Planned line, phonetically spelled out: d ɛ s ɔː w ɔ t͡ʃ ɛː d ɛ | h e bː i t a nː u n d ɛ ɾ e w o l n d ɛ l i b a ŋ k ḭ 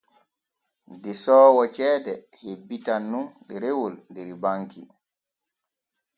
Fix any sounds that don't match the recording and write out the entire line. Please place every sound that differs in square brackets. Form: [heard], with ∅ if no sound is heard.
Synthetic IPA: d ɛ s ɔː w ɔ t͡ʃ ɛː d ɛ | h e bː i t a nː u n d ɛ ɾ e w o l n d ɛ [ɾ] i b a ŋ k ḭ